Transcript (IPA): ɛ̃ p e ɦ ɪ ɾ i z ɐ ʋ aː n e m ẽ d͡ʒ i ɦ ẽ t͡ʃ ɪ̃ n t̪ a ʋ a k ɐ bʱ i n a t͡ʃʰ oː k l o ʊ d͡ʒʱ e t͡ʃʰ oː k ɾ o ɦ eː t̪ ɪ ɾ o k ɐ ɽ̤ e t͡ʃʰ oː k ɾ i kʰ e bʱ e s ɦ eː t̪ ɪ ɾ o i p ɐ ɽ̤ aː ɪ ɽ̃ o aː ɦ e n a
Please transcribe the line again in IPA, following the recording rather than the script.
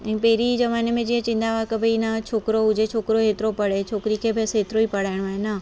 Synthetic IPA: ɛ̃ p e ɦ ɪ ɾ i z ɐ ʋ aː n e m ẽ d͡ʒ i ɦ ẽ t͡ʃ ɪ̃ n d̪ a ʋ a k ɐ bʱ i n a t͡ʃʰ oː k ɾ o ʊ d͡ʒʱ e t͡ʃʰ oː k ɾ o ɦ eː t̪ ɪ ɾ o p ɐ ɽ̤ e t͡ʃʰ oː k ɾ i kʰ e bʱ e s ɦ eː t̪ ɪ ɾ o i p ɐ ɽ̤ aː ɪ ɽ̃ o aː ɦ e n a

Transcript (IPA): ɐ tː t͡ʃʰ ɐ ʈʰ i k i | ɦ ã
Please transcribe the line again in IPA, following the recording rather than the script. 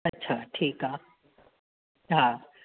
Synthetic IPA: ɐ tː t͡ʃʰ a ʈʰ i k a | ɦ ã

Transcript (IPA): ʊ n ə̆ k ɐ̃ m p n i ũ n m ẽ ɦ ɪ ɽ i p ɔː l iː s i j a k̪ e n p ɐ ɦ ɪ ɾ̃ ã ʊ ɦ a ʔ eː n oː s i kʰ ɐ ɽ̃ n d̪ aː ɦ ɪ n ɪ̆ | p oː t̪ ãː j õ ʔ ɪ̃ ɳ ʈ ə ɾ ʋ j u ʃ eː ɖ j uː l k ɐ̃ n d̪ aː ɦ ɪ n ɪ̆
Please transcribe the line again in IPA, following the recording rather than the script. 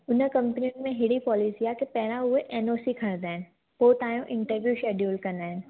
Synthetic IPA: ʊ n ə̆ k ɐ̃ m p n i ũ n m ẽ ɦ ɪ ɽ i p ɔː l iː s i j a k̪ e p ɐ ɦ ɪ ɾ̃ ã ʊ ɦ e ʔ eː n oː s i kʰ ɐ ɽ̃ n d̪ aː ɦ ɪ n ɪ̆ | p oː t̪ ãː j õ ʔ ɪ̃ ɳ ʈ ə ɾ ʋ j u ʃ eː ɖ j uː l k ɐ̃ n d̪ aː ɦ ɪ n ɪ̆

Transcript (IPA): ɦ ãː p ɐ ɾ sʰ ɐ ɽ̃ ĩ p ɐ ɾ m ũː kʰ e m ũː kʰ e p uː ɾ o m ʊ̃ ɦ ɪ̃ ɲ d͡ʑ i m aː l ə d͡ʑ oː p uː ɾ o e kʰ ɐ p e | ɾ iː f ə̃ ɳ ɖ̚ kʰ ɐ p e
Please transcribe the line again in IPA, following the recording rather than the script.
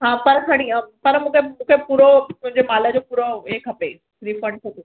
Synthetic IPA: ɦ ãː p ɐ ɾ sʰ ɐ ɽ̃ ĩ p ɐ ɾ m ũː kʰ e m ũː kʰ e p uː ɾ o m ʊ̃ ɦ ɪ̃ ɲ d͡ʑ e m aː l ə d͡ʑ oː p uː ɾ o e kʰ ɐ p e | ɾ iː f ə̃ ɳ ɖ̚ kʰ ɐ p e

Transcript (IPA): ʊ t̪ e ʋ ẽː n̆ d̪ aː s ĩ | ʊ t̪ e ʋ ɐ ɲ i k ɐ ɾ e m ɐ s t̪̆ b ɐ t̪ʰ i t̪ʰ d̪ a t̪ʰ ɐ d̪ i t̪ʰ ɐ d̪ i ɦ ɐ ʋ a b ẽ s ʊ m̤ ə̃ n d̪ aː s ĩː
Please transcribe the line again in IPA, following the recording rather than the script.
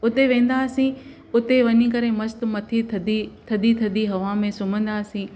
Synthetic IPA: ʊ t̪ e ʋ ẽː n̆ d̪ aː s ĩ | ʊ t̪ e ʋ ɐ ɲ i k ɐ ɾ e m ɐ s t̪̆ m ɐ t̪ʰ i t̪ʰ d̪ i t̪ʰ ɐ d̪ i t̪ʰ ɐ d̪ i ɦ ɐ ʋ a m ẽ s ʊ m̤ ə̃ n d̪ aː s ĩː

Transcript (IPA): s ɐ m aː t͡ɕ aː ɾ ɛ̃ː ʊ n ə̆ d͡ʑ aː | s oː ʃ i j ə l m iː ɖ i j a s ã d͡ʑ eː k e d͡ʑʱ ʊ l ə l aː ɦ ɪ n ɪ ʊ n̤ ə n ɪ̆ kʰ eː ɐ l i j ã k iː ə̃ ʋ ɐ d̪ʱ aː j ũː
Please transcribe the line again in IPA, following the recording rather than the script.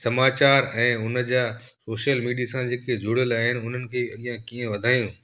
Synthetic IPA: s ɐ m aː t͡ɕ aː ɾ ɛ̃ː ʊ n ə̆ d͡ʑ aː | s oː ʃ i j ə l m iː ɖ i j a s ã d͡ʑ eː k e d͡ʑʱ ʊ ɽ ə l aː ɦ ɪ n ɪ ʊ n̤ ə n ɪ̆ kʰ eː ɐ l i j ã k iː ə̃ ʋ ɐ d̪ʱ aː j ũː

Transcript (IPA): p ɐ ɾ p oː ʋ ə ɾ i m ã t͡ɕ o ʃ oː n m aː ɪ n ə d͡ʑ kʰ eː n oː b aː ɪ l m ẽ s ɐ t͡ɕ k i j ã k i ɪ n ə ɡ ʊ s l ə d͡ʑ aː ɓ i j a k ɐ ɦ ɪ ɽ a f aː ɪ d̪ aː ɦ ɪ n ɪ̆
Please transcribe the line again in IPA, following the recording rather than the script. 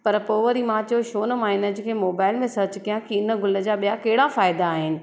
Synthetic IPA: p ɐ ɾ p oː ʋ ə ɾ i m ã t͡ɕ o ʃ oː n m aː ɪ n ə d͡ʑ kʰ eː m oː b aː ɪ l m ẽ s ɐ t͡ɕ k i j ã k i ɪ n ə ɡ ʊ l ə d͡ʑ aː ɓ i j a k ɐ ɦ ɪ ɽ a f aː ɪ d̪ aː ɦ ɪ n ɪ̆

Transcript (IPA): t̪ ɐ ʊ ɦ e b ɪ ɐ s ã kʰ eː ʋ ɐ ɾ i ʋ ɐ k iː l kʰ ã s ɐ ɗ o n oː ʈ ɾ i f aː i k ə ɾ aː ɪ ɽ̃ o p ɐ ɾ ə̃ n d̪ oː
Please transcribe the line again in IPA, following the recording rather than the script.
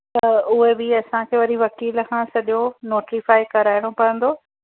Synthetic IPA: t̪ ɐ ʊ ɦ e b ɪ ɐ s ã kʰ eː ʋ ɐ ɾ i ʋ ɐ k iː l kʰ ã s ɐ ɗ o n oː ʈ ɾ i f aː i k ɐ ɾ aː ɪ ɽ̃ o p ɐ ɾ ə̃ n d̪ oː

